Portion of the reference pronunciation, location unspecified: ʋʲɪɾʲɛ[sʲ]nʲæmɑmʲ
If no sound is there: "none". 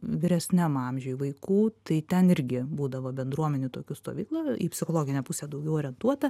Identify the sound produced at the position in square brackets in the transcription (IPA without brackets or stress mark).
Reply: sʲ